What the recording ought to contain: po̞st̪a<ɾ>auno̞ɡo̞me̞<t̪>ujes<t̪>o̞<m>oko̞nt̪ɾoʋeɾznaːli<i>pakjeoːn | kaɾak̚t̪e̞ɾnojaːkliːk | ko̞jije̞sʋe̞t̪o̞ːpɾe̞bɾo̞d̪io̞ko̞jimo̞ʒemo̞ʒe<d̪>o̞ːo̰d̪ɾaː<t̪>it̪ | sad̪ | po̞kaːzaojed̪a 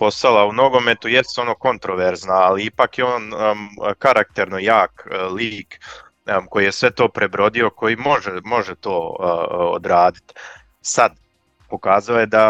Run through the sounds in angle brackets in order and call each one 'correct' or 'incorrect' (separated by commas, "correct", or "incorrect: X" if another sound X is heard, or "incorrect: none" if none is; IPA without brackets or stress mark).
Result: incorrect: l, correct, correct, incorrect: n, correct, incorrect: t̪, incorrect: d̪